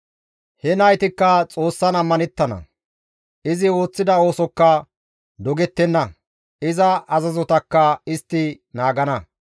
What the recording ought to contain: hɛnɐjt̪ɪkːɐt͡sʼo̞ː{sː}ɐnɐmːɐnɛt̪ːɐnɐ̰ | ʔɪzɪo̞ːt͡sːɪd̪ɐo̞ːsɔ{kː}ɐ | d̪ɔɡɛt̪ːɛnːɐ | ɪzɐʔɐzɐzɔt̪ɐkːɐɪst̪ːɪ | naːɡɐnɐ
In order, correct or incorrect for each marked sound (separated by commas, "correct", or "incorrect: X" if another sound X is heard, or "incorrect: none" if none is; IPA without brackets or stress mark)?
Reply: correct, correct